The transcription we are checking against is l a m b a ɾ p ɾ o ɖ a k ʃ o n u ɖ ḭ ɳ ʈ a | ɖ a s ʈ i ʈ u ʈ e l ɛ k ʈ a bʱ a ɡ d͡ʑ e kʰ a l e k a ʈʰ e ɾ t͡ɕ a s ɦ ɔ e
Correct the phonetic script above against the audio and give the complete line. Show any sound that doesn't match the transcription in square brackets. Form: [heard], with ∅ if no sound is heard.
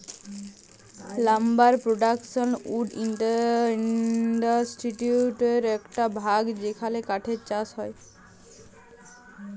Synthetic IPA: l a m b a ɾ p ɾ o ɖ a k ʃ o n u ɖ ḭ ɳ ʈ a | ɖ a s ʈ i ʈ u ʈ e [ɾ] ɛ k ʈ a bʱ a ɡ d͡ʑ e kʰ a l e k a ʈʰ e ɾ t͡ɕ a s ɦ ɔ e